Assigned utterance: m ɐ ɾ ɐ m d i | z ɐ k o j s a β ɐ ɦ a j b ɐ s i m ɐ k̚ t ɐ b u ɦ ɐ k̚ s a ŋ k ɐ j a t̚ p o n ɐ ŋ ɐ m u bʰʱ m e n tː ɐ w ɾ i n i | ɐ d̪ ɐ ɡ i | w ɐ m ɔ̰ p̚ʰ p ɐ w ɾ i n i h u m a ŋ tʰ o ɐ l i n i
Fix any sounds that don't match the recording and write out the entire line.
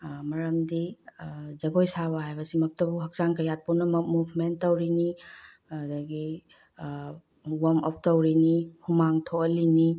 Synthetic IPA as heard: m ɐ ɾ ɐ m d i | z ɐ ɡ o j s a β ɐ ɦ a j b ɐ s i m ɐ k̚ t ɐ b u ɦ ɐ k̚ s a ŋ k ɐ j a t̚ p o n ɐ m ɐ m u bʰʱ m e n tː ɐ w ɾ i n i | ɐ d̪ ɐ ɡ i | w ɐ m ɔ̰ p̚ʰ t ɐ w ɾ i n i h u m a ŋ tʰ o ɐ l i n i